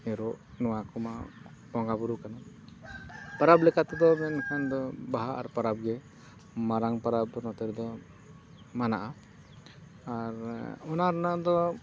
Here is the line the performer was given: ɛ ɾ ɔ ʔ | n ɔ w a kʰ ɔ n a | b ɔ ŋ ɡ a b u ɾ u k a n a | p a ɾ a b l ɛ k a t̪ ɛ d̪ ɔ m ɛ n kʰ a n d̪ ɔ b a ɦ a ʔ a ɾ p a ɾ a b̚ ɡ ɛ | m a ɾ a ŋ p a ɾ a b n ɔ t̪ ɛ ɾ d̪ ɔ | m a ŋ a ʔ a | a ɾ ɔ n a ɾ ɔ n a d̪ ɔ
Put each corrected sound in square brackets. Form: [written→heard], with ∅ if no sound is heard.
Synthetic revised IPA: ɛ ɾ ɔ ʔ | n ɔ w a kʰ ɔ [n→m] a | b ɔ ŋ ɡ a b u ɾ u k a n a | p a ɾ a b l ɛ k a t̪ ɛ d̪ ɔ m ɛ n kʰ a n d̪ ɔ b a ɦ a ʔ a ɾ p a ɾ a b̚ ɡ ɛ | m a ɾ a ŋ p a ɾ a b n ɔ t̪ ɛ ɾ d̪ ɔ | m a [ŋ→n] a ʔ a | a ɾ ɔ n a ɾ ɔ n a d̪ ɔ